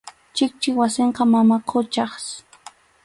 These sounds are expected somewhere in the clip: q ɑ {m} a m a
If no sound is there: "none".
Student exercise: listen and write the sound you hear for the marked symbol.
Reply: m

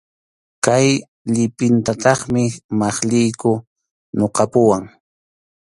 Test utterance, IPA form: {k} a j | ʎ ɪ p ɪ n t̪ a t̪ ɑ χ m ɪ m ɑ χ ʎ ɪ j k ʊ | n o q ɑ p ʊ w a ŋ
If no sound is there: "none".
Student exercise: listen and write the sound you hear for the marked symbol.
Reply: k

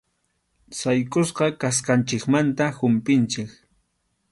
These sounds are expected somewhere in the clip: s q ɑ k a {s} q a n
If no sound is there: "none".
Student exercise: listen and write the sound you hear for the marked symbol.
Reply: s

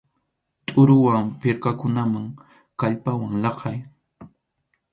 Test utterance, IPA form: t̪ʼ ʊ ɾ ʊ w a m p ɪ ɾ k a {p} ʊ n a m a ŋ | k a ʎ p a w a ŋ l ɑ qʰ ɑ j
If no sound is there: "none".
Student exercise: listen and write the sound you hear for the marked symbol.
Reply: k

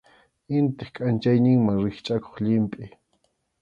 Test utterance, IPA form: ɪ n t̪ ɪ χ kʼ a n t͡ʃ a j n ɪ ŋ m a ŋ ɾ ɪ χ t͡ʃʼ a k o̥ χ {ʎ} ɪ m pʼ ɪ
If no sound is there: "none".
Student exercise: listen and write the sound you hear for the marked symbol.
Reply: ʎ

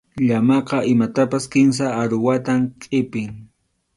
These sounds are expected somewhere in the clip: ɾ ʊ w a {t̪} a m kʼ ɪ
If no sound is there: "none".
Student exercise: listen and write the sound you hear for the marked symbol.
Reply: t̪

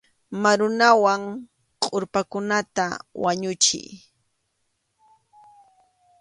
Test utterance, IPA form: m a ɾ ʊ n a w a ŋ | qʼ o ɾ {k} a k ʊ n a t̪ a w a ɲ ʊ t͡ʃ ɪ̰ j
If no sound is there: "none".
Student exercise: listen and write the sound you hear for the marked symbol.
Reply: p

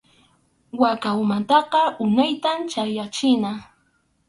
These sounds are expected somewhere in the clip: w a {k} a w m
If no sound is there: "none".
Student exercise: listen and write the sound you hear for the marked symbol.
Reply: k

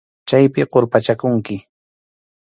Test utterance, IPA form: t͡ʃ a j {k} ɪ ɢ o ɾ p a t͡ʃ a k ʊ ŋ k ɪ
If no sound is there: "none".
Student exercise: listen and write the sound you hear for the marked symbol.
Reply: p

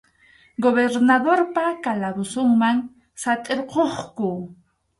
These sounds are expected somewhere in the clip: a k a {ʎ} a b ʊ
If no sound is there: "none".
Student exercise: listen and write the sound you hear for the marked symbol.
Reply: l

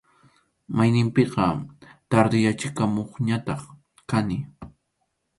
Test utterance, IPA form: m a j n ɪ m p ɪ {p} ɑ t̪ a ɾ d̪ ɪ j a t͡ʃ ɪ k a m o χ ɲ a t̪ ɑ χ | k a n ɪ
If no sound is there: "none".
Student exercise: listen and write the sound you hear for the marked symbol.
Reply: q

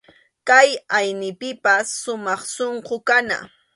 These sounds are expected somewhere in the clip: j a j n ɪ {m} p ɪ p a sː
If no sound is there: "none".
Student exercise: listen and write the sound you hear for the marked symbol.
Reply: none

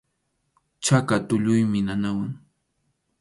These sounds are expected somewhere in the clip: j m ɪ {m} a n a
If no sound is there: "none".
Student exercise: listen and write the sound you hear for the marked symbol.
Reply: n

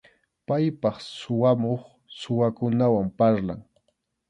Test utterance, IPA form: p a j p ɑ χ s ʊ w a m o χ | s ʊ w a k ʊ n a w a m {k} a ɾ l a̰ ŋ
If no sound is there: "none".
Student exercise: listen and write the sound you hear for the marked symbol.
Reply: p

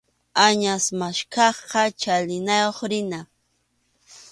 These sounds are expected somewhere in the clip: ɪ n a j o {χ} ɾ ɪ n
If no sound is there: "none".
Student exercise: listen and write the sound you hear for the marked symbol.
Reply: χ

